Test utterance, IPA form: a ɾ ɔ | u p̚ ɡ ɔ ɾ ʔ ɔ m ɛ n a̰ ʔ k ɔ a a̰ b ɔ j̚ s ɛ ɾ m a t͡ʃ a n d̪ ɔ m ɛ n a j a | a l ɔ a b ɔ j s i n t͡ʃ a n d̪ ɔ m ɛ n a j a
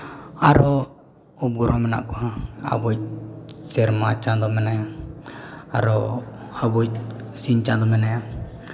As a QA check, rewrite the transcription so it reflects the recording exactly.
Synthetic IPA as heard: a ɾ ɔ | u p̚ ɡ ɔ ɾ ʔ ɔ m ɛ n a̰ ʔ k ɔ a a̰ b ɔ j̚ s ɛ ɾ m a t͡ʃ a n d̪ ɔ m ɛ n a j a | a ɾ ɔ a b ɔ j s i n t͡ʃ a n d̪ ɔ m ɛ n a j a